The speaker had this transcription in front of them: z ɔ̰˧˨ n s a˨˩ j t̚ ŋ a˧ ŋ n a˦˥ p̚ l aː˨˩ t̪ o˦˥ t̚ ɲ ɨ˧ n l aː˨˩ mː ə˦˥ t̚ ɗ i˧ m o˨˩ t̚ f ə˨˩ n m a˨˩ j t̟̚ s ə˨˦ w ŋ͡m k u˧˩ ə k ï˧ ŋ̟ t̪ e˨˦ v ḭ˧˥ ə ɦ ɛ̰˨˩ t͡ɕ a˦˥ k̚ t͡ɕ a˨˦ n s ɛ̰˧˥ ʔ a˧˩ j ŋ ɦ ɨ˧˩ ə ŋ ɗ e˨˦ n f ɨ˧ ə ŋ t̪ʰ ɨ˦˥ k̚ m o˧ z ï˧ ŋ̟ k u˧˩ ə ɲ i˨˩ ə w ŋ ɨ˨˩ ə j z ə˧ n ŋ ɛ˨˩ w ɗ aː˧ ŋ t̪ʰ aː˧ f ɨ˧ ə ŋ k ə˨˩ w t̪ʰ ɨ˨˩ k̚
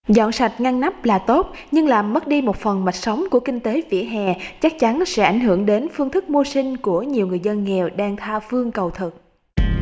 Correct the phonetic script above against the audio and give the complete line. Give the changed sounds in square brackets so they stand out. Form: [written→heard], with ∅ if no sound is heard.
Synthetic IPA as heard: z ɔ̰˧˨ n s a˨˩ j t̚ ŋ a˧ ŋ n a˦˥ p̚ l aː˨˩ t̪ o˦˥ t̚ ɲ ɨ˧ [n→ŋ] l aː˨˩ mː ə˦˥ t̚ ɗ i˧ m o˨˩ t̚ f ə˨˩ n m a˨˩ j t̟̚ s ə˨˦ w ŋ͡m k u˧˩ ə k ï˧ ŋ̟ t̪ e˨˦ v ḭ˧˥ ə ɦ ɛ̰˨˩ t͡ɕ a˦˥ k̚ t͡ɕ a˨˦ n s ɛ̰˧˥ ʔ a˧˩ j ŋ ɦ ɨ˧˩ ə ŋ ɗ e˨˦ n f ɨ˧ ə ŋ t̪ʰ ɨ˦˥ k̚ m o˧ [z→s] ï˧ ŋ̟ k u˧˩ ə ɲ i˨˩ ə w ŋ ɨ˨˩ ə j z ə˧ n ŋ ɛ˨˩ w ɗ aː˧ ŋ t̪ʰ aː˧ f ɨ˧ ə ŋ k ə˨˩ w t̪ʰ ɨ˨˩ k̚

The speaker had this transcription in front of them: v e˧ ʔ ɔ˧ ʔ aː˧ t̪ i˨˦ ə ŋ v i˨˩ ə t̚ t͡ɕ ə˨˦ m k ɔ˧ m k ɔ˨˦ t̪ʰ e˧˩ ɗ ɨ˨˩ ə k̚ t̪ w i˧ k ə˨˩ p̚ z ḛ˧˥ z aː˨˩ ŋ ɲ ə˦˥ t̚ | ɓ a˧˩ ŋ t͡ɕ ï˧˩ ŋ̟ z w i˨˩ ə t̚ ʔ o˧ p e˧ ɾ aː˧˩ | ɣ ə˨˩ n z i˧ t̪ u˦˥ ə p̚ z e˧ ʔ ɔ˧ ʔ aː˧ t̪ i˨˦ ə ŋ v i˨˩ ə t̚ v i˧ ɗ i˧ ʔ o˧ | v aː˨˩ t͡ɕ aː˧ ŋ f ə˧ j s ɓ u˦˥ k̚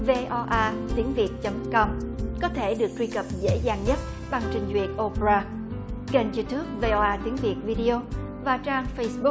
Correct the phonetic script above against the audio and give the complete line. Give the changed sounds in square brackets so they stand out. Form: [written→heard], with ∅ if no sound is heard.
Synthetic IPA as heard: v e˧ ʔ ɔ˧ ʔ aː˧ t̪ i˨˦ ə ŋ v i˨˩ ə t̚ t͡ɕ ə˨˦ m k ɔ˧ m k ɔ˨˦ t̪ʰ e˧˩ ɗ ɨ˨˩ ə k̚ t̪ w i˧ k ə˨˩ p̚ z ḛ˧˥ z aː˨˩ ŋ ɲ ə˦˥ t̚ | ɓ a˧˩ ŋ t͡ɕ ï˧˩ ŋ̟ z w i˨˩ ə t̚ ʔ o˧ p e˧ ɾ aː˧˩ | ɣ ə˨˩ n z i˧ t̪ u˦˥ ə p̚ [z→v] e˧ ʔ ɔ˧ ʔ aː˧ t̪ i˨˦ ə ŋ v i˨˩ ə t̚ v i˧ ɗ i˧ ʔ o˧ | v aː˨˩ t͡ɕ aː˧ ŋ f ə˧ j s ɓ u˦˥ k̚

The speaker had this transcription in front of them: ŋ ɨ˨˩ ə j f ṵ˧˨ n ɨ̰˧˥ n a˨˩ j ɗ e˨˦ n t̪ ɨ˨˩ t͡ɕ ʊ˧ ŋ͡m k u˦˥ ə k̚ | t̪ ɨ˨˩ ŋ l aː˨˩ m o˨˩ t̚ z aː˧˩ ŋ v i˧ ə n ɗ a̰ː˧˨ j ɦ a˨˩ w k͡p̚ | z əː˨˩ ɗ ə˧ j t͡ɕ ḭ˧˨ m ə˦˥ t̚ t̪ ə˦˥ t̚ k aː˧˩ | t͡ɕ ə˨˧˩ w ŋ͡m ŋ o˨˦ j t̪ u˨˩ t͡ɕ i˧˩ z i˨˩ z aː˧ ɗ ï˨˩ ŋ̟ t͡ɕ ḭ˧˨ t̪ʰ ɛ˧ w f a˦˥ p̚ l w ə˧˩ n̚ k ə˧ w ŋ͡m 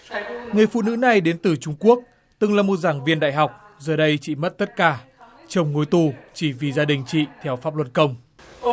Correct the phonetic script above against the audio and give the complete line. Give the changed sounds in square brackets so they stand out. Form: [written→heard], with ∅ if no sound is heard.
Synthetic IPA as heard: ŋ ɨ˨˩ ə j f ṵ˧˨ n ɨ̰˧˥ n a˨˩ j ɗ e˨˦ n t̪ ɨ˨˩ t͡ɕ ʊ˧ ŋ͡m k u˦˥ ə k̚ | t̪ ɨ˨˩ ŋ l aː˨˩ m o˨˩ t̚ z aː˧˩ ŋ v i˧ ə n ɗ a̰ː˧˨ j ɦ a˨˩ w k͡p̚ | z əː˨˩ ɗ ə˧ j t͡ɕ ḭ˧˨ m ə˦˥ t̚ t̪ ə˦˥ t̚ k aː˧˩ | t͡ɕ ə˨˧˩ w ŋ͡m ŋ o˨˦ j t̪ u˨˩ t͡ɕ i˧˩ [z→v] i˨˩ z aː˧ ɗ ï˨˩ ŋ̟ t͡ɕ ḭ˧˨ t̪ʰ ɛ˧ w f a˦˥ p̚ l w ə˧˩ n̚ k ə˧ w ŋ͡m

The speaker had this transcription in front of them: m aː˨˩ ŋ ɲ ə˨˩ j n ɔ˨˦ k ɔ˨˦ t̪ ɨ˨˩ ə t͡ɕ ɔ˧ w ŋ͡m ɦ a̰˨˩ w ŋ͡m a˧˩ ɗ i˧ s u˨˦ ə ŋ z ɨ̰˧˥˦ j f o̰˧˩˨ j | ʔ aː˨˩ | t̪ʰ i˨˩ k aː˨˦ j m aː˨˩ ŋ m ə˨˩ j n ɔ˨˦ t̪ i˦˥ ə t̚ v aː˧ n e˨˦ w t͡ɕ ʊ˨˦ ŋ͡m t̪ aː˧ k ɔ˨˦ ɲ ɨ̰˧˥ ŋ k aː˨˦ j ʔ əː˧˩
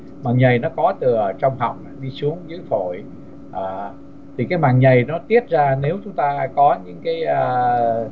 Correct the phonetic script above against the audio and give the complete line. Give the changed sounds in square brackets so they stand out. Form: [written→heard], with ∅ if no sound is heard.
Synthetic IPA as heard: m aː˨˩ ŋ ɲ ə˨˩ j n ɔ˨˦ k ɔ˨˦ t̪ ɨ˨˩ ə t͡ɕ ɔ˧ w ŋ͡m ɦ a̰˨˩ w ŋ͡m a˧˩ ɗ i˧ s u˨˦ ə ŋ z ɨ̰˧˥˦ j f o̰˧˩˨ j | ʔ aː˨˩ | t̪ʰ i˨˩ k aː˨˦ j m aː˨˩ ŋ [m→ɲ] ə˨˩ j n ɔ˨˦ t̪ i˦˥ ə t̚ [v→z] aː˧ n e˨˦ w t͡ɕ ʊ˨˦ ŋ͡m t̪ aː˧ k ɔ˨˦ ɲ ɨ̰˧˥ ŋ k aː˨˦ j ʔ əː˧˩

